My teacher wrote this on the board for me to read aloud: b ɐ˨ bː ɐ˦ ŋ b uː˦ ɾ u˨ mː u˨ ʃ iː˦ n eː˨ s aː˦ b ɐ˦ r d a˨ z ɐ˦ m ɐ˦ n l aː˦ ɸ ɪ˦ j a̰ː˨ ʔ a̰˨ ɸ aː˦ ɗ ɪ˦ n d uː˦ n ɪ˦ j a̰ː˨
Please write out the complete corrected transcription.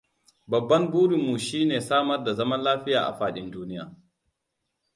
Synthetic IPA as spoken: b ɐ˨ bː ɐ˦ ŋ b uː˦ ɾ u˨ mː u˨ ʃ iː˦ n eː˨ s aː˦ m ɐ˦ r d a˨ z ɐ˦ m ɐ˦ n l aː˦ ɸ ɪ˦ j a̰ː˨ ʔ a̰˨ ɸ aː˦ ɗ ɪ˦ n d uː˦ n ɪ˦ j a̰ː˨